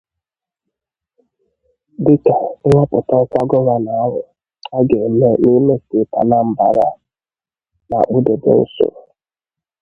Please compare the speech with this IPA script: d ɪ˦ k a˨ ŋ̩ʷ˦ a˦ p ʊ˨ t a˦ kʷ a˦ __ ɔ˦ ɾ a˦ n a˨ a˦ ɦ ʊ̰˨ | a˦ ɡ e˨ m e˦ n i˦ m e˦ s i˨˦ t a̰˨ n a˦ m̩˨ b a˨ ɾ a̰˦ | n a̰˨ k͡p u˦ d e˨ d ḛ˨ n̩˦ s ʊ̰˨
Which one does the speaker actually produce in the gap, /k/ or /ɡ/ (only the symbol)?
ɡ